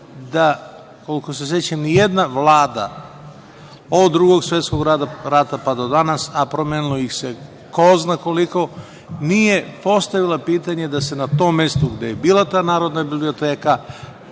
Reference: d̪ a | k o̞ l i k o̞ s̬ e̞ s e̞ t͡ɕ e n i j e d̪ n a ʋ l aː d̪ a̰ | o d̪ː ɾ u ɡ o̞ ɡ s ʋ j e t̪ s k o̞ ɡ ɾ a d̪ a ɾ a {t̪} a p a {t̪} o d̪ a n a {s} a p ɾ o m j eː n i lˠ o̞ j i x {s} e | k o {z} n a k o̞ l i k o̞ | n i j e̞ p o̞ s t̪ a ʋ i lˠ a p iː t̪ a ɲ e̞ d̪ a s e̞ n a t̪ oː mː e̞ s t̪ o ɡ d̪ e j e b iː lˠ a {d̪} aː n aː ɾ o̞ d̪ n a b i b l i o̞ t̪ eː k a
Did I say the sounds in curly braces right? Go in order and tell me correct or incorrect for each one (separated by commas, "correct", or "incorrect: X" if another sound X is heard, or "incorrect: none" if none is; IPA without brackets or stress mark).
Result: correct, incorrect: d̪, correct, correct, correct, incorrect: t̪